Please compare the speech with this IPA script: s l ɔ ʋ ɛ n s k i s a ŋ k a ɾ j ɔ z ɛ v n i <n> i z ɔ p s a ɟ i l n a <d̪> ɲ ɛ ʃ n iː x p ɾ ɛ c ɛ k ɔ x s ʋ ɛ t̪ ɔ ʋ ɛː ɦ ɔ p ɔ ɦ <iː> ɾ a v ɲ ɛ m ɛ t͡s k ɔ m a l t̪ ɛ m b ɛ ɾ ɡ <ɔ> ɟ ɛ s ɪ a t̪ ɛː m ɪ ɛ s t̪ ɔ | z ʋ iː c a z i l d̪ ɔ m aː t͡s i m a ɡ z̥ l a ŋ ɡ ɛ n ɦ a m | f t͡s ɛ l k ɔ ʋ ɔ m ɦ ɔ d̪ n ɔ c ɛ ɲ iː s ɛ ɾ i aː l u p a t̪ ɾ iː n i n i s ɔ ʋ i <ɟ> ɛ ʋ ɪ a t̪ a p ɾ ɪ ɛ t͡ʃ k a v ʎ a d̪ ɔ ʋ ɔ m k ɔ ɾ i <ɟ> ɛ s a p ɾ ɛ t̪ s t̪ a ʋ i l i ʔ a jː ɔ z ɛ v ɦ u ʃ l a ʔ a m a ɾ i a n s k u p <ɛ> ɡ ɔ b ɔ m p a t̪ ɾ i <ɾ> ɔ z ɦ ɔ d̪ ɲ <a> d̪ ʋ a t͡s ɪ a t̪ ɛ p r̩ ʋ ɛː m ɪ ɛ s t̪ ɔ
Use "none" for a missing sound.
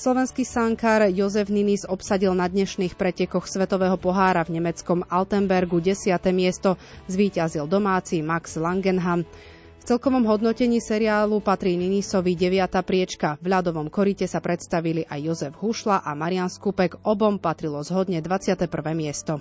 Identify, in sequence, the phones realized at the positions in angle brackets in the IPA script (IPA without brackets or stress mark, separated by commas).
n, d̪, aː, u, ɟ, c, ɛ, l, ɛ